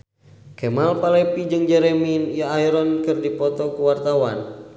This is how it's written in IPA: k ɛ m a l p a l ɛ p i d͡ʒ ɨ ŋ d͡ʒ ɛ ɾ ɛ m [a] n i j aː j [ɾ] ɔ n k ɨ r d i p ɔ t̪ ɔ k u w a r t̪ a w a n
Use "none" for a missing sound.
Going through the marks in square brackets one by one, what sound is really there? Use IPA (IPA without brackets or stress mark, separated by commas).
i, ɾ